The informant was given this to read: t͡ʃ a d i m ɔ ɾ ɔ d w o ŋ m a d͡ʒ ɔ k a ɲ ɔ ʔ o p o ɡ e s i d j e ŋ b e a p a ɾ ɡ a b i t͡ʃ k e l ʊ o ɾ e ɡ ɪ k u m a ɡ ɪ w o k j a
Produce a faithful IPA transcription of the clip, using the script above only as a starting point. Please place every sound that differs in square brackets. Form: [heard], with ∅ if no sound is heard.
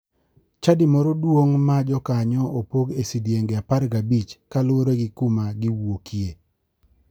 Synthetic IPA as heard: t͡ʃ a d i m ɔ ɾ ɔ d w o ŋ m a d͡ʒ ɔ k a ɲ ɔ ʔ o p o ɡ e s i d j e ŋ [ɡ] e a p a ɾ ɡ a b i t͡ʃ k [a] l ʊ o ɾ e ɡ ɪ k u m a ɡ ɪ w o k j [e]